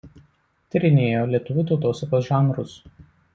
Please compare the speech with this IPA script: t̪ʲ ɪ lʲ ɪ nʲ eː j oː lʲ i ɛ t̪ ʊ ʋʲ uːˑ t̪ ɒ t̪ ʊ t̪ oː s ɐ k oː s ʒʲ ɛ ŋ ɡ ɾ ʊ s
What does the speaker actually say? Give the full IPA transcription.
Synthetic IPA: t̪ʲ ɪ ɾʲ ɪ nʲ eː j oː lʲ i ɛ t̪ ʊ ʋʲ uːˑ t̪ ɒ ʊ t̪ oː s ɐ k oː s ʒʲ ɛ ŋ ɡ ɾ ʊ s